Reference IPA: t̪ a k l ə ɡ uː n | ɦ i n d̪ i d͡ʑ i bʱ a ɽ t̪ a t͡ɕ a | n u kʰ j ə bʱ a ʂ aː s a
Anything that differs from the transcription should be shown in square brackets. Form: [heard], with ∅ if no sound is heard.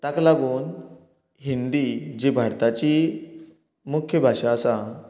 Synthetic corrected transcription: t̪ a k l [a] ɡ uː n | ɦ i n d̪ i d͡ʑ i bʱ a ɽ t̪ a t͡ɕ [i] | [m] u kʰ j ə bʱ a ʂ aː s a